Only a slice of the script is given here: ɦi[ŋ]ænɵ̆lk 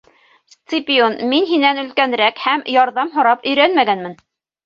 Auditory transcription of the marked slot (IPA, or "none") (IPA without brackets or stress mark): n